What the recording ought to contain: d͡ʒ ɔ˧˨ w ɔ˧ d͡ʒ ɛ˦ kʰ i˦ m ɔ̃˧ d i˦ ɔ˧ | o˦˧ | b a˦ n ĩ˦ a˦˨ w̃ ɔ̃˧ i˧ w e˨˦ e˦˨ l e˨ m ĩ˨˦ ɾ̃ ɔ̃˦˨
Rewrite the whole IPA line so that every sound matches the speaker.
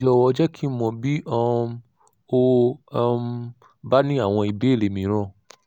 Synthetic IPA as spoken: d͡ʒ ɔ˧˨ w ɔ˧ d͡ʒ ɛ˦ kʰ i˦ m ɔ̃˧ b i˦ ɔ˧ | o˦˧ | b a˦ n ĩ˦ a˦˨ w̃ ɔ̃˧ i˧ b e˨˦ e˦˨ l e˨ m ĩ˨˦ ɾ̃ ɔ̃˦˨